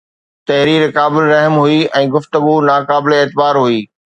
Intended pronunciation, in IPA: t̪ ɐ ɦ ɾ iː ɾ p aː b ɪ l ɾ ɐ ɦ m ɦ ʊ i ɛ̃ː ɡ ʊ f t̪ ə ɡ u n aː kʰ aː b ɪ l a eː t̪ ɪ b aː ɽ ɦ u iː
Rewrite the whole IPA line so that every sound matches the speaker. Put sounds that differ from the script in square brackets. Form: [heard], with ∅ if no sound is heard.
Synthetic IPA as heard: t̪ ɐ ɦ ɾ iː ɾ [k] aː b ɪ l ɾ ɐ ɦ m ɦ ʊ i ɛ̃ː ɡ ʊ f t̪ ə ɡ u n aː [k] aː b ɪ l [e] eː t̪ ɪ b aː [ɾ] ɦ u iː